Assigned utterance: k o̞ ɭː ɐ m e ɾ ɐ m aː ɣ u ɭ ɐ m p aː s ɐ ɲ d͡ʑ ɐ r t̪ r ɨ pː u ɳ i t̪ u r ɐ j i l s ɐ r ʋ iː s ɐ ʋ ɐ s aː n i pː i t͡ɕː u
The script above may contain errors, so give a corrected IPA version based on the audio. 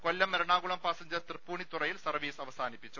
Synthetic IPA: k o̞ lː ɐ m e ɾ ɐ ɳ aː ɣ u ɭ ɐ m p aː s ɐ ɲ d͡ʑ ɐ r t̪ r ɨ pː uː ɳ i t̪ u r ɐ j i l s ɐ r ʋ iː s ɐ ʋ ɐ s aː n i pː i t͡ɕː u